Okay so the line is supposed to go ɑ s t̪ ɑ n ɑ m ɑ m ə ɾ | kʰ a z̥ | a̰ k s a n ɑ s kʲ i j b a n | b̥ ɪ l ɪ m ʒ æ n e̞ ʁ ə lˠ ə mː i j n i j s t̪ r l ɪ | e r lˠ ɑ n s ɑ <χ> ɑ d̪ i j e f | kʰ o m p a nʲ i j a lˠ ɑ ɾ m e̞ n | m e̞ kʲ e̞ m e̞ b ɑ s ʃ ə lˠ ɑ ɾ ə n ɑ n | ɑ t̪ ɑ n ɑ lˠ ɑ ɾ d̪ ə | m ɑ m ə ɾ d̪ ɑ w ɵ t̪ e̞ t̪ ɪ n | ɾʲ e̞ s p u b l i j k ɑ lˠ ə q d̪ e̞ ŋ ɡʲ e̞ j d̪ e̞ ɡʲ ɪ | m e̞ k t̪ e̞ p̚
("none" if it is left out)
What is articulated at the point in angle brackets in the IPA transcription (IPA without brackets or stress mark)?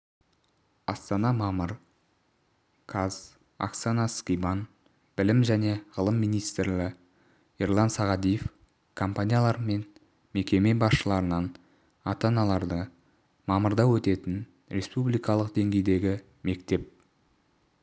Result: ʁ